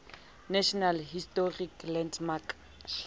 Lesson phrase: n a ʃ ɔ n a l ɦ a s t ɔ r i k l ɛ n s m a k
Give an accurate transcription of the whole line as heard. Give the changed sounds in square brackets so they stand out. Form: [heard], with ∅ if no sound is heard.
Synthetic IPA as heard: n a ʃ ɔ n a l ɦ [i] s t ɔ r i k l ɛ n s m a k